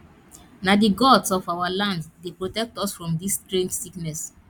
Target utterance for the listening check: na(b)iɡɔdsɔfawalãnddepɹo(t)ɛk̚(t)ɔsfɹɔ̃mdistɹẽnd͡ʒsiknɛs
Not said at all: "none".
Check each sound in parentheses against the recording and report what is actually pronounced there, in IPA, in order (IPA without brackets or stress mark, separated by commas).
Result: d, t, t